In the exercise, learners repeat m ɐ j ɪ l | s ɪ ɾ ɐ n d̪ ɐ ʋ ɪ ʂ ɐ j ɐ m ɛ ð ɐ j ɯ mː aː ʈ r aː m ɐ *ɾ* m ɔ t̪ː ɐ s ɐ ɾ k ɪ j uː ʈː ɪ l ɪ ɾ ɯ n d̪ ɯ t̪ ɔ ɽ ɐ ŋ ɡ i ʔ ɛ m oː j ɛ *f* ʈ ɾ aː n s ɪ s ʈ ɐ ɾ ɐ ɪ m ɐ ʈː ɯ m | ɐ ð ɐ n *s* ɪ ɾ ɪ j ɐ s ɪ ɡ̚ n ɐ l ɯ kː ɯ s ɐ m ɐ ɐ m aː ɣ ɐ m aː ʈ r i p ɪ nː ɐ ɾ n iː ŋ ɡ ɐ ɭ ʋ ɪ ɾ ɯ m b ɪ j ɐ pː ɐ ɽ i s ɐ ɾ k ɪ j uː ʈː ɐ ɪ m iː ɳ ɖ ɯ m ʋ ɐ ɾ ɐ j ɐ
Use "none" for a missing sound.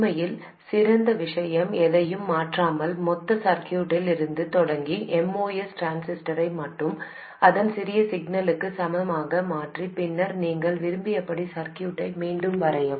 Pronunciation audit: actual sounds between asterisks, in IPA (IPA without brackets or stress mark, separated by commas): l, s, s